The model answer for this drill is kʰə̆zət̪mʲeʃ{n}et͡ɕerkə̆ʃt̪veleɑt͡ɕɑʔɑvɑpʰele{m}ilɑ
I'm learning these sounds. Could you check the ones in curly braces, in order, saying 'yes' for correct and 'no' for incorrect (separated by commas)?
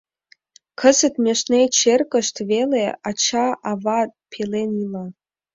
yes, no